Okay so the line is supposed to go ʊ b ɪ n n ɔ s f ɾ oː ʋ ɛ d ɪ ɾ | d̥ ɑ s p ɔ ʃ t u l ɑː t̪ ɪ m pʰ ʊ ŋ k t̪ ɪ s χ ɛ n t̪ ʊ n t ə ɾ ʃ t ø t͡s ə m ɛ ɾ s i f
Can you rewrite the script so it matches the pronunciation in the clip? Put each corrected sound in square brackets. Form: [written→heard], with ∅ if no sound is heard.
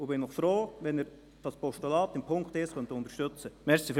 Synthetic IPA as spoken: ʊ b ɪ n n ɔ [s→χ] f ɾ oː ʋ ɛ [d→n] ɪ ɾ | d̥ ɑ s p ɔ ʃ t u l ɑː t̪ ɪ m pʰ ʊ ŋ k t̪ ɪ s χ [ɛ→œ] n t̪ ʊ n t ə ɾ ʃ t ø t͡s ə m ɛ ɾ s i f